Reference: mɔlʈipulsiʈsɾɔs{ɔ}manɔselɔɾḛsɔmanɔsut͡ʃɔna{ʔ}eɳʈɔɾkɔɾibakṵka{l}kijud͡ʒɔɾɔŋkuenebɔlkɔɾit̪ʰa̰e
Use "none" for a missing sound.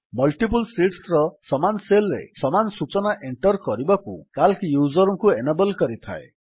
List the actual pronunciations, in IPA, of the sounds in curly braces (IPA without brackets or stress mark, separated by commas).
ɔ, ʔ, l